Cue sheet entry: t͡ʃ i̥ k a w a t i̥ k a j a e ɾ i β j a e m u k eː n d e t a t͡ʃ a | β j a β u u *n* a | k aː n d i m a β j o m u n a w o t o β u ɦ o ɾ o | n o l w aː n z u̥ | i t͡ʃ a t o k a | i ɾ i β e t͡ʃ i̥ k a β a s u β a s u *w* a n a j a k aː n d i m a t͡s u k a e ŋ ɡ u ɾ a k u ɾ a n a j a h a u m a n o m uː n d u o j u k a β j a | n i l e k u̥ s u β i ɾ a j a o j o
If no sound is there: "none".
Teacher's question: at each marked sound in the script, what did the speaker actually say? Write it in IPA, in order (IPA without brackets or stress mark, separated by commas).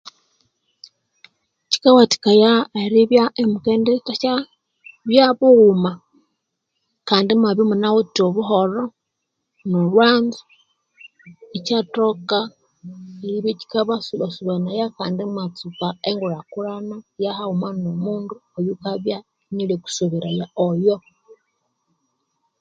m, β